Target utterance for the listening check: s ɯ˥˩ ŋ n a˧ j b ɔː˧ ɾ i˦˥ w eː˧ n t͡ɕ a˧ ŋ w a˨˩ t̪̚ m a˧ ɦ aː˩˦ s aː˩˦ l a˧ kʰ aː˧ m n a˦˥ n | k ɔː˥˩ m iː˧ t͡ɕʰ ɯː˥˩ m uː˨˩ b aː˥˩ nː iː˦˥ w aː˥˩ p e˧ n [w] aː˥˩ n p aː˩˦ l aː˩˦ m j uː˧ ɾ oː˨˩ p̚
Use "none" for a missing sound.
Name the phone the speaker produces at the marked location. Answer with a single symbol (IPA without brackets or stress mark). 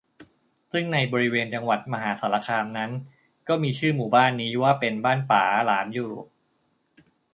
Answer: b